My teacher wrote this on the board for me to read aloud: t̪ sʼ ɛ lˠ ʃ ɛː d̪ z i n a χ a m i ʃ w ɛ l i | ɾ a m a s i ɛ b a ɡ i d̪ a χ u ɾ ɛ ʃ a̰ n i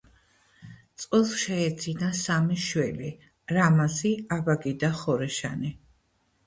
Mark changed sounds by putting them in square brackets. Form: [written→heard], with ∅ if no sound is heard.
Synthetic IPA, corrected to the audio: t̪ sʼ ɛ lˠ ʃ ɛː d̪ z i n a [χ→s] a m i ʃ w ɛ l i | ɾ a m a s i [ɛ→a] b a ɡ i d̪ a χ [u→ɔ] ɾ ɛ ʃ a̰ n i